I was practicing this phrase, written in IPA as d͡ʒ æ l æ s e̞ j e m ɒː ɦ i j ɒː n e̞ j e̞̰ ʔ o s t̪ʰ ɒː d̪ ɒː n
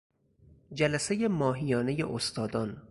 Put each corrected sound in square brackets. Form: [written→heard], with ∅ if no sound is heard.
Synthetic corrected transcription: d͡ʒ æ l æ s e̞ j e m ɒː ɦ i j ɒː n e̞ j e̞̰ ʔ o s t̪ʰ ɒː d̪ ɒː n